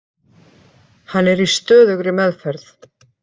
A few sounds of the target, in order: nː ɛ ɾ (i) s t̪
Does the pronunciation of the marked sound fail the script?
no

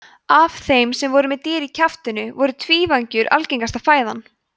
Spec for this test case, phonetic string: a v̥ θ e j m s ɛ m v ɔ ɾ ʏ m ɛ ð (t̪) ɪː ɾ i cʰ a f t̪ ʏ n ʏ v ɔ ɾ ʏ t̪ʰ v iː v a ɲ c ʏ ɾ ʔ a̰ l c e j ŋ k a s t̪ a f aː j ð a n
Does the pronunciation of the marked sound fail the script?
no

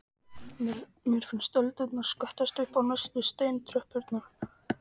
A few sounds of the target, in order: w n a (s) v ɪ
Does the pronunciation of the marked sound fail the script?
no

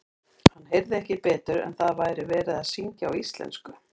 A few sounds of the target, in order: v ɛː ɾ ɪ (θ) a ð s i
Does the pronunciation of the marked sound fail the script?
yes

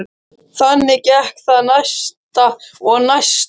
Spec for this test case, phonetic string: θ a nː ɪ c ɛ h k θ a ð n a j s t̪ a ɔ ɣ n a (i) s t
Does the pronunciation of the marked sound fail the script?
yes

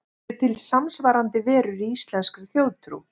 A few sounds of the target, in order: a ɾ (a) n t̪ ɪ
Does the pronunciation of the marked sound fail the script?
no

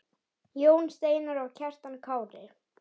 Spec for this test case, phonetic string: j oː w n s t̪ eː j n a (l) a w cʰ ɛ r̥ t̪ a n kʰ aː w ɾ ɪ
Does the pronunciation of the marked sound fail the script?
yes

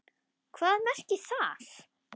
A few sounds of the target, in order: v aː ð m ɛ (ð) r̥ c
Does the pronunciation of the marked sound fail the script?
yes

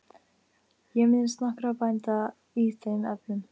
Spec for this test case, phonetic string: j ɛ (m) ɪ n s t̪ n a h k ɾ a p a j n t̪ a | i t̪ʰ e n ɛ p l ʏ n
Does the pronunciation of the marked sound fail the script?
no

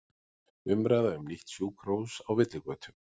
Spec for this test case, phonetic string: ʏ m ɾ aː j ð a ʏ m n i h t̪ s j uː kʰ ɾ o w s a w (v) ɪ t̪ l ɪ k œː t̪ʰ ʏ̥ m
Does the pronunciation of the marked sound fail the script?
no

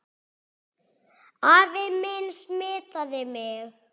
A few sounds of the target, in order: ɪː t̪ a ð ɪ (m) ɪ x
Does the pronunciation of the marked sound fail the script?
no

